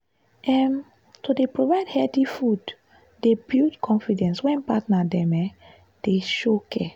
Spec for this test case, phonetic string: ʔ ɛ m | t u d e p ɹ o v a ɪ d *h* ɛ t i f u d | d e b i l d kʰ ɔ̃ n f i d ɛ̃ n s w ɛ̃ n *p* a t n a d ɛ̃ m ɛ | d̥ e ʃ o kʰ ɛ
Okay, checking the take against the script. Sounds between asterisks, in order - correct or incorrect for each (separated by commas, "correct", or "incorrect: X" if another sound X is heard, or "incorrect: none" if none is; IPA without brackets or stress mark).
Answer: correct, correct